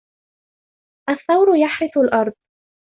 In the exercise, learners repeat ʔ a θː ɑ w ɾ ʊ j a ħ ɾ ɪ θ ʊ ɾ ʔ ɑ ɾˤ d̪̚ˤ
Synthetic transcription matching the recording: ʔ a θː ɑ w ɾ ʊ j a ħ ɾ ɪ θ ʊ l ʔ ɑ ɾˤ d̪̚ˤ